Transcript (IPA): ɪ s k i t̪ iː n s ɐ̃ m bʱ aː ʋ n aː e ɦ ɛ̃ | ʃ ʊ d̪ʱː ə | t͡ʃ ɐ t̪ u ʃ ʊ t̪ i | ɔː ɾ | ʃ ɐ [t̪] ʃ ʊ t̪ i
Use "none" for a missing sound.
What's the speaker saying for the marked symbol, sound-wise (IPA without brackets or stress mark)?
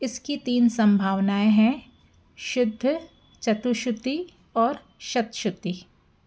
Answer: t̪